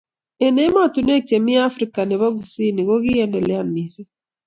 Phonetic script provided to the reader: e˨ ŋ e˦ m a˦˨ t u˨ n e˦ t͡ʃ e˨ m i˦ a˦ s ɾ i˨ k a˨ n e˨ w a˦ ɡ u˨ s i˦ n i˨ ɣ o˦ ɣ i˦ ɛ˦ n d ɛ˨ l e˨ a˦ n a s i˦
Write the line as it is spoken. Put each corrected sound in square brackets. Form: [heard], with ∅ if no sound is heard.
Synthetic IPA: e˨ [n] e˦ m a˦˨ t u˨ n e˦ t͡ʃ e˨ m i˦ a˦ [f] ɾ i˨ k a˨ n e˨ [β] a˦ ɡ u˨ s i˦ n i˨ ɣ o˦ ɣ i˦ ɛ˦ n d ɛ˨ l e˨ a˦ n [i] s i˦